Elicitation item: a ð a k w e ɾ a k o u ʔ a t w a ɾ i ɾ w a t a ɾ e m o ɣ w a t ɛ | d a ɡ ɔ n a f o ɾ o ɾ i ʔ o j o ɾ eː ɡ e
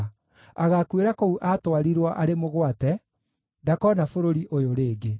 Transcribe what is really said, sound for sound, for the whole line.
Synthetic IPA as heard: a ɣ a k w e ɾ a k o u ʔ a t w a ɾ i ɾ w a ʔ a ɾ e m o ɣ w a t ɛ | d a k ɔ n a f o ɾ o ɾ i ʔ o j o ɾ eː ɡ e